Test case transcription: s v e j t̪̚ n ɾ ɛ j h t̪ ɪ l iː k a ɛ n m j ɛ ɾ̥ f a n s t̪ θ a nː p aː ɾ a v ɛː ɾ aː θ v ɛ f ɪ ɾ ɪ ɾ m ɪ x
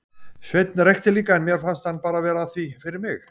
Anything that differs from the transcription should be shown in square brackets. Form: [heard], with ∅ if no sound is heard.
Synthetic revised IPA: s v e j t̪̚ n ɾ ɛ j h t̪ ɪ l iː k a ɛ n m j ɛ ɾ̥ f a n s t̪ [h] a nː p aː ɾ a v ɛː ɾ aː θ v [i] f ɪ ɾ ɪ ɾ m ɪ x